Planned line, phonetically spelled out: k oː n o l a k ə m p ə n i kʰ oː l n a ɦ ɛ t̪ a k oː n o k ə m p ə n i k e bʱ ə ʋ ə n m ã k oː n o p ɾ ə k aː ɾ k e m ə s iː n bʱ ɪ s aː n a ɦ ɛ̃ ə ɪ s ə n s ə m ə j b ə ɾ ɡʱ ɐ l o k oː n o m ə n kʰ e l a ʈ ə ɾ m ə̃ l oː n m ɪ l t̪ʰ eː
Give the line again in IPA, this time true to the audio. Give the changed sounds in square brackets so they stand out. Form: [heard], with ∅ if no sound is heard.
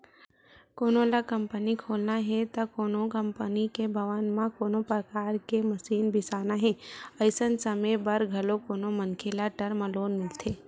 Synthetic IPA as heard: k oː n o l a k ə m p ə n i kʰ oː l n a ɦ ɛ t̪ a k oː n o k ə m p ə n i k e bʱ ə ʋ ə n m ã k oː n o p ɾ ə k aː ɾ k e m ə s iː n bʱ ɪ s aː n a ɦ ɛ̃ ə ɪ s ə n s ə m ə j b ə ɾ ɡʱ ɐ l o k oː n o m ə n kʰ e l a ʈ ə ɾ m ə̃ l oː n m ɪ l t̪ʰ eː